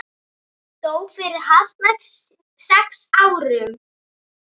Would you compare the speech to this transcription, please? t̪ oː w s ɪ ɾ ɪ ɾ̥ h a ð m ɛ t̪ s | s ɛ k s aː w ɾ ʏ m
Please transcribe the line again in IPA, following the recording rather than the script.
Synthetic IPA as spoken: t̪ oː w f ɪ ɾ ɪ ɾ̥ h a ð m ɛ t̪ s | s ɛ k s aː w ɾ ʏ m